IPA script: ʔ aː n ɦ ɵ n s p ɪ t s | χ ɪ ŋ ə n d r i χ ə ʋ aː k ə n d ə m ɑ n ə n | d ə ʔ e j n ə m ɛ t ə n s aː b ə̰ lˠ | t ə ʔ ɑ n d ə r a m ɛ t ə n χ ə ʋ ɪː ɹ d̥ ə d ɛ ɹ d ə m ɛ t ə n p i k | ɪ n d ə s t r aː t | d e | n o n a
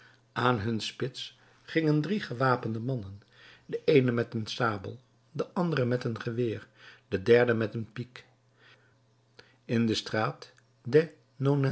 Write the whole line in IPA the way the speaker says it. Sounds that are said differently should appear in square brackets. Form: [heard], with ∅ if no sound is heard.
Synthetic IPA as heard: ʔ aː n ɦ ɵ n s p ɪ t s | χ ɪ ŋ ə n d r i χ ə ʋ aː [p] ə n d ə m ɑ n ə n | d ə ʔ e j n ə m ɛ t ə n s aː b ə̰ lˠ | [d] ə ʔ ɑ n d ə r [ə] m ɛ t ə n χ ə ʋ ɪː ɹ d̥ ə d ɛ ɹ d ə m ɛ t ə n p i k | ɪ n d ə s t r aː t | d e | n o n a